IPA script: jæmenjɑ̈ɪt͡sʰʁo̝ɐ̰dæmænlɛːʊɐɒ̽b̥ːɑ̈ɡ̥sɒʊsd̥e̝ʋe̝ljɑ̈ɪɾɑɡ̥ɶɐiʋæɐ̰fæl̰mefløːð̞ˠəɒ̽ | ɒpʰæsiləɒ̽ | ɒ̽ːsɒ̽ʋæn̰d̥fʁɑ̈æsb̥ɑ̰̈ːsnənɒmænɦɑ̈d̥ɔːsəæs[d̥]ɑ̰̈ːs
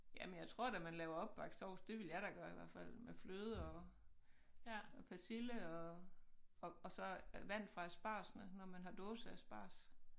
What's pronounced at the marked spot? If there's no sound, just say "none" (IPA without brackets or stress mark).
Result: b̥